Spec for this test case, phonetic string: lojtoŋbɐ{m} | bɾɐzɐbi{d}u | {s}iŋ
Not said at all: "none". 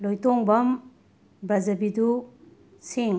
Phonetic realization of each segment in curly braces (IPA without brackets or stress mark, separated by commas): m, d, s